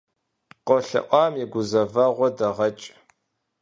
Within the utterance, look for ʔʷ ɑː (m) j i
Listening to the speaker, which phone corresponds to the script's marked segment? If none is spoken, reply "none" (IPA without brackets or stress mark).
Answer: m